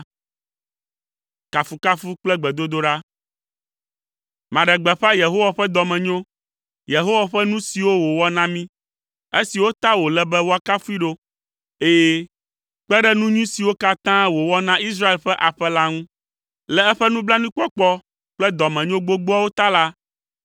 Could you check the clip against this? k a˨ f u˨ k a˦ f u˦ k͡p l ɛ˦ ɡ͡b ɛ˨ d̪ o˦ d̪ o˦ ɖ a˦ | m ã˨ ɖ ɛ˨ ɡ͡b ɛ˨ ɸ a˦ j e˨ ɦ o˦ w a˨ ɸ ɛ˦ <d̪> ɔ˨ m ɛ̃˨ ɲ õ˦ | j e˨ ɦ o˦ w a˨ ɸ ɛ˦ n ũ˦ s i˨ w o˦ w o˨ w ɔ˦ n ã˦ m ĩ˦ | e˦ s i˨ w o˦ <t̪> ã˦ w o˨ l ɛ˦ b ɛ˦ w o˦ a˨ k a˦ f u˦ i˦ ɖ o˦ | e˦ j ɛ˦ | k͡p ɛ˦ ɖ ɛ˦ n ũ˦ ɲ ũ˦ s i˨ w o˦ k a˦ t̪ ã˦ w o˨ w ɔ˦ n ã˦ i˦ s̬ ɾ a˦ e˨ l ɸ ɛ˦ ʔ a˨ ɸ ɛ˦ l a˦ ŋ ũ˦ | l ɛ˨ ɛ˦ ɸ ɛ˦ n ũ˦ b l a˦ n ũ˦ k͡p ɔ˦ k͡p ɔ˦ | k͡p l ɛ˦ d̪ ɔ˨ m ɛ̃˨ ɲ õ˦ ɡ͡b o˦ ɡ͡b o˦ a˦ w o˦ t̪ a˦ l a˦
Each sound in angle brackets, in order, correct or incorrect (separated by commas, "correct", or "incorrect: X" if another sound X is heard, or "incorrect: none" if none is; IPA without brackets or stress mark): correct, correct